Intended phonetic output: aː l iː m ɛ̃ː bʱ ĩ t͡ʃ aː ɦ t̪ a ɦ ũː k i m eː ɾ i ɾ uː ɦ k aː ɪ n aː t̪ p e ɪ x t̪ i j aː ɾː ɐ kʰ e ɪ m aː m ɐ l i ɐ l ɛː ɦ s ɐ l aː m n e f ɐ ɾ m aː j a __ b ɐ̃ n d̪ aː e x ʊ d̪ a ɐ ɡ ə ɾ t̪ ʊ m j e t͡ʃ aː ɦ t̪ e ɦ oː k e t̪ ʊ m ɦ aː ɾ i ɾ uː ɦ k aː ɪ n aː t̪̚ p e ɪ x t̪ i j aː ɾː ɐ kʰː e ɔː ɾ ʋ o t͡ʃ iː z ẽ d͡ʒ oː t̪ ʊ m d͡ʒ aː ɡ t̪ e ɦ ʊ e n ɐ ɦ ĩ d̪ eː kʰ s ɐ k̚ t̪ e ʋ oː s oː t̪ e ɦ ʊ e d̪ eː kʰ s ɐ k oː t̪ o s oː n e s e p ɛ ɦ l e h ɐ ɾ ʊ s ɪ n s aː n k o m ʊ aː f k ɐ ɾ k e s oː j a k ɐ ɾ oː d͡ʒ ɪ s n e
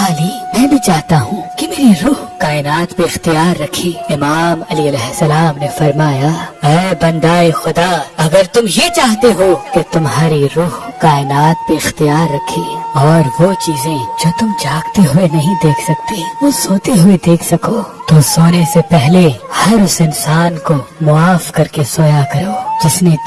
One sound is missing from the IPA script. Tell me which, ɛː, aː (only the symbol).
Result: ɛː